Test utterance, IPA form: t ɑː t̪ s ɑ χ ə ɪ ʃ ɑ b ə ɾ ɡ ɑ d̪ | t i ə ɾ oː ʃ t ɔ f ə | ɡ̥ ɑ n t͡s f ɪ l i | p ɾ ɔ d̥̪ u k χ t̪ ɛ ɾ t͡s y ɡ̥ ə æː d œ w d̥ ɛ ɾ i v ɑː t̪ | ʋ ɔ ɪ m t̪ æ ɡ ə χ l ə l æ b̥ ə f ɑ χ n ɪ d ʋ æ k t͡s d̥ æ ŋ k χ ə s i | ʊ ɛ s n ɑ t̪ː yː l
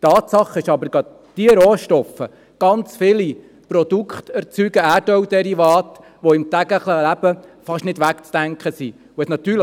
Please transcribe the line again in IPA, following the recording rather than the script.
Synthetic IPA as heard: t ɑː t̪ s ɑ χ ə ɪ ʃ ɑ b ə ɾ ɡ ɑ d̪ | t i ə ɾ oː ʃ t ɔ f ə | ɡ̥ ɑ n t͡s f ɪ l i | p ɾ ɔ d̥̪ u k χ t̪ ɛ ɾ t͡s y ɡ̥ ə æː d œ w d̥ ɛ ɾ i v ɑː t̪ | ʋ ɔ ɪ m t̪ æ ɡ ə χ l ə l æ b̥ ə f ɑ ʃ n ɪ d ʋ æ k t͡s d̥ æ ŋ k χ ə s i | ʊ ɛ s n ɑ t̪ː yː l